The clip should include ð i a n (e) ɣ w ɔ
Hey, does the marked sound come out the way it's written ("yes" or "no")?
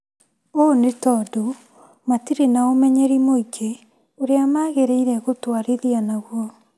no